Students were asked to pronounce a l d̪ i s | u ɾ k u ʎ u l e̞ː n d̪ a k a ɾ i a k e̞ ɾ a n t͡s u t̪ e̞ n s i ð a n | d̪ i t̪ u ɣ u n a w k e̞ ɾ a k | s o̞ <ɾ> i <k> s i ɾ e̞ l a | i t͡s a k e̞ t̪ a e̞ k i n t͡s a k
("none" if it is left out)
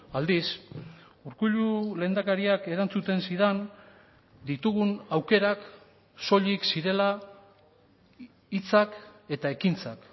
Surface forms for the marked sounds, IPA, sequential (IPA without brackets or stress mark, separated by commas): ʎ, k